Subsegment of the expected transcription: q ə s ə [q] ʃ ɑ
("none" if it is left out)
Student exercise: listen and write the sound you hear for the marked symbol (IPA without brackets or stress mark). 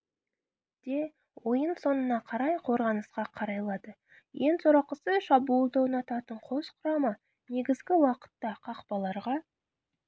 none